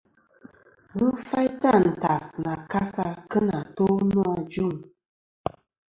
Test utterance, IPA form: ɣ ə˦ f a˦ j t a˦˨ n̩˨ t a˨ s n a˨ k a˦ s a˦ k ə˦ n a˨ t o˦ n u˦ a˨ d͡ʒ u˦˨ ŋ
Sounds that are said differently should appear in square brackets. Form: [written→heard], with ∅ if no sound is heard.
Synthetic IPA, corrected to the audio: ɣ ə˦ f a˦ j t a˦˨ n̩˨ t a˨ s n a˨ k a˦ s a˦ k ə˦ n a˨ t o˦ n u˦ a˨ d͡ʒ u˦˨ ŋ